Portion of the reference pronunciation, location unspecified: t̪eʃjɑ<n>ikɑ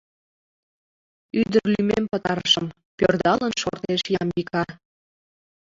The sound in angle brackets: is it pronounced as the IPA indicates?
no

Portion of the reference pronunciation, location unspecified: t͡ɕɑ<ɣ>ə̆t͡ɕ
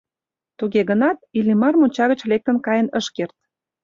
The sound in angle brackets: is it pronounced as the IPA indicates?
yes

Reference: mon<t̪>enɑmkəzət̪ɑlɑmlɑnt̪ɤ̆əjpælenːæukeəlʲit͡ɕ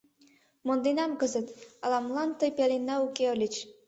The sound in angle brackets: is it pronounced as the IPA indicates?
no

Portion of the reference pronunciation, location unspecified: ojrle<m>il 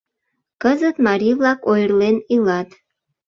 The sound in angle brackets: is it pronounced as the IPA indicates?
no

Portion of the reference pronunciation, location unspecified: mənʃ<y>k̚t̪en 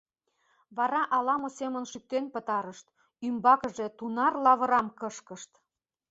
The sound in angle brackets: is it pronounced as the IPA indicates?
yes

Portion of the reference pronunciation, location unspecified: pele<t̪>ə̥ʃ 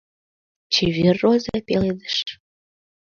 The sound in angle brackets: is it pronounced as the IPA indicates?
no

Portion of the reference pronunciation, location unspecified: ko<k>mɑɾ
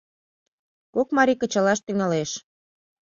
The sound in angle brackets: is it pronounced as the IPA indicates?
yes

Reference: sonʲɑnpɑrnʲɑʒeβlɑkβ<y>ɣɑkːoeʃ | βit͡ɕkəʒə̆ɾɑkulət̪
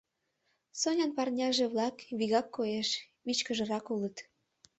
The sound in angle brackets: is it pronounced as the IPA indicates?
no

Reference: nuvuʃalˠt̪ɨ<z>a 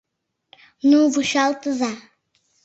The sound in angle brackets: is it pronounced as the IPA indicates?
yes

